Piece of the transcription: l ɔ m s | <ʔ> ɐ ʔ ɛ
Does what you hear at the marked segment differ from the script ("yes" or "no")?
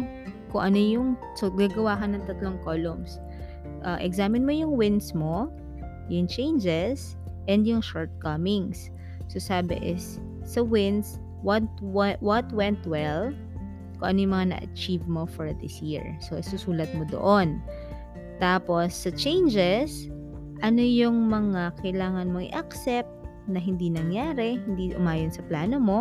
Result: no